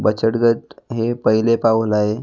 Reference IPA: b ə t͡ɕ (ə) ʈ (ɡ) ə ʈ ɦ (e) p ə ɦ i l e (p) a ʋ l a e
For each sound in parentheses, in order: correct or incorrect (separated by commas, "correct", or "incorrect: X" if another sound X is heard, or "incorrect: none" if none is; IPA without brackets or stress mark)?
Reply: correct, correct, correct, correct